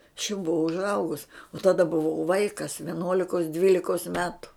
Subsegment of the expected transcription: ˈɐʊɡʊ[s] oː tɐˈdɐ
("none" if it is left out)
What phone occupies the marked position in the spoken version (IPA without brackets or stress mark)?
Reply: s